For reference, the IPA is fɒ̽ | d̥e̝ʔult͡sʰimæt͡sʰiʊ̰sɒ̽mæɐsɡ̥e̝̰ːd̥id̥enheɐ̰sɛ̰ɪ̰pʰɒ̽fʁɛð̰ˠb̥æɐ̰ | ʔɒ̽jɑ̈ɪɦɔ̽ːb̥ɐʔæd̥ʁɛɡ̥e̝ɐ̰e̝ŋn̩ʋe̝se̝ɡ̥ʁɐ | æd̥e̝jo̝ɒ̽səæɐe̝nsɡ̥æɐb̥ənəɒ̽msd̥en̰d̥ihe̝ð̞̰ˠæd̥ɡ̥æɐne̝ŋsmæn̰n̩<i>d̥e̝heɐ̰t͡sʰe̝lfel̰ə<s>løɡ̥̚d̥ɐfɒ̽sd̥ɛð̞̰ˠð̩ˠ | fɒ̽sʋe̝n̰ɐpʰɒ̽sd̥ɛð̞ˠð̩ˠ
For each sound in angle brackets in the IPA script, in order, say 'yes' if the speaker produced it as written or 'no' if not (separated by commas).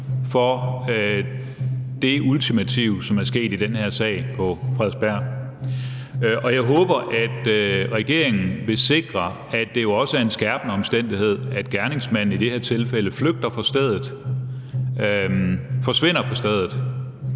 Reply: yes, no